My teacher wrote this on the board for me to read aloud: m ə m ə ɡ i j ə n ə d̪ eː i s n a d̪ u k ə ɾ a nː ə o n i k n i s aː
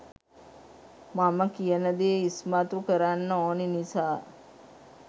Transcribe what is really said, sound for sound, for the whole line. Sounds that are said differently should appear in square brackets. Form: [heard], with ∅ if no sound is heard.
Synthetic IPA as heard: m [a] m ə [k] i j ə n ə d̪ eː i s [m] a [t̪] u k ə ɾ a nː ə o n i [∅] n i s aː